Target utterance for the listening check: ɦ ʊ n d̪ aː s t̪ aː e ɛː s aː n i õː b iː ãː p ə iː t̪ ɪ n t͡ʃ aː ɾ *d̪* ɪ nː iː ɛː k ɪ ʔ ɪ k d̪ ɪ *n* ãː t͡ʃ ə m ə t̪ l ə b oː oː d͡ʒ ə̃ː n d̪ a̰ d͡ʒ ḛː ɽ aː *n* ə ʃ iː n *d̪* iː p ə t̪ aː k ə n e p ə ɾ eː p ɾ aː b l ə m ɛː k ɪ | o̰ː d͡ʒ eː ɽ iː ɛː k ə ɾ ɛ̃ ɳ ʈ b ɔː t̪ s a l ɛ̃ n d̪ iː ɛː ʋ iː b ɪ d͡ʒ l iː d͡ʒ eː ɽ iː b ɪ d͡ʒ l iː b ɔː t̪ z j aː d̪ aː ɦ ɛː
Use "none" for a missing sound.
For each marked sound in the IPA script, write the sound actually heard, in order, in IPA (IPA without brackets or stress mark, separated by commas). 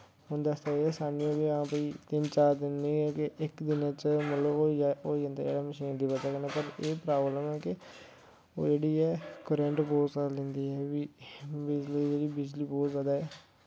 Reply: d̪, n, m, d̪